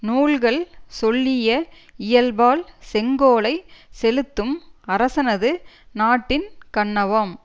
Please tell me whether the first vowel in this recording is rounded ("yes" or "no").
yes